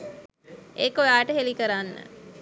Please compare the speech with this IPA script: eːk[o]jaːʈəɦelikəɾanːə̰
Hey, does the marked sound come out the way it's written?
yes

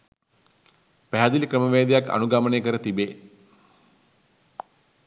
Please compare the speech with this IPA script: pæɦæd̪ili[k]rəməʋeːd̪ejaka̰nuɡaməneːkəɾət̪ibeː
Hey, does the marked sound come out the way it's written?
yes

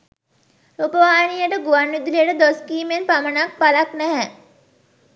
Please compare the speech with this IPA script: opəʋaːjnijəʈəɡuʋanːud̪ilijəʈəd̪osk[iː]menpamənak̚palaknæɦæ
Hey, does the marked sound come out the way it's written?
yes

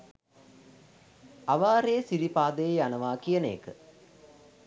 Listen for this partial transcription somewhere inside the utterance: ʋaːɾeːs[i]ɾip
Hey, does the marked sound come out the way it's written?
yes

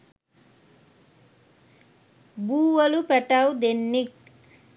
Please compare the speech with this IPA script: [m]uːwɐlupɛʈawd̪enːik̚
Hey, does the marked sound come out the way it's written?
no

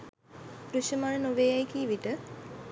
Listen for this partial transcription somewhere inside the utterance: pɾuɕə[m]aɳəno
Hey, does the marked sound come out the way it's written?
yes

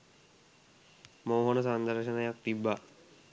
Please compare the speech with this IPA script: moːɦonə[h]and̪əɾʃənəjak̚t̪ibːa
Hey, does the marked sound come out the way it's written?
no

